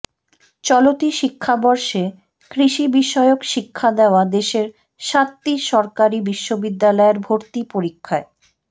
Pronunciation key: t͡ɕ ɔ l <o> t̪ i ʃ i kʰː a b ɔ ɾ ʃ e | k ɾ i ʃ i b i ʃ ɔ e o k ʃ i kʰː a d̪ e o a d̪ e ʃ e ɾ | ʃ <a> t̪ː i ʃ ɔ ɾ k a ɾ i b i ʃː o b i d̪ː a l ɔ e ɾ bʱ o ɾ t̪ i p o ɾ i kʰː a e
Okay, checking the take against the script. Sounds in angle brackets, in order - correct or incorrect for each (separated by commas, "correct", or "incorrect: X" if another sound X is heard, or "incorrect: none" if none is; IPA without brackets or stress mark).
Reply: correct, correct